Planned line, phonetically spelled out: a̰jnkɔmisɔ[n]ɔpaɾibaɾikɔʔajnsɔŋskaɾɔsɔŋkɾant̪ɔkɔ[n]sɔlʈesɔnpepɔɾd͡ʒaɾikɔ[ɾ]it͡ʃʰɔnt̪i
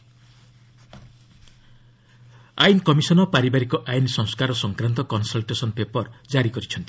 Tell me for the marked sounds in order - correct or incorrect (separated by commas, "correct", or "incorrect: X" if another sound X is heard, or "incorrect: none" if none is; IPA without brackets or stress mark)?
correct, correct, correct